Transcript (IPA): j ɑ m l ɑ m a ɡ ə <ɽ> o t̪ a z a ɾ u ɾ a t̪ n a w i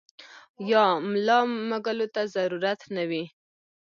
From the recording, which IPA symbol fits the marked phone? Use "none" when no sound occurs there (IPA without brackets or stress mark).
l